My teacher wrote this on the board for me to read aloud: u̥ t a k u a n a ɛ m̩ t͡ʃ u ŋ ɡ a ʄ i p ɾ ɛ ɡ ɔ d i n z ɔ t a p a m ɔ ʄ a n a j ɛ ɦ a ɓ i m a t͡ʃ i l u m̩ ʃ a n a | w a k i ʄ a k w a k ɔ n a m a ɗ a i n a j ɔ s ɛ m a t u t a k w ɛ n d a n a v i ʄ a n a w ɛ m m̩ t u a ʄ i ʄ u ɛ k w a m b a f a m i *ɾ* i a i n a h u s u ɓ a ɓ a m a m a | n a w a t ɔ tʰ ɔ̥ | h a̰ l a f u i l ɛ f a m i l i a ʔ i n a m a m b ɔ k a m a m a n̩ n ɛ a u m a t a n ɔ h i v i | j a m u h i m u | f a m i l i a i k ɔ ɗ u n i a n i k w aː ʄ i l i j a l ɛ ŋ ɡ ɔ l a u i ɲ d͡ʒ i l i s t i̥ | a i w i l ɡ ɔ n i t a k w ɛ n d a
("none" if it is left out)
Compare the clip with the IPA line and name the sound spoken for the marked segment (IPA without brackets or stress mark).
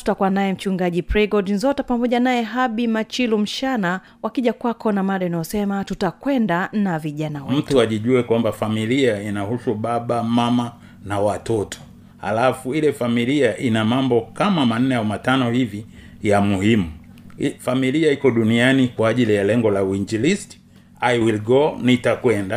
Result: l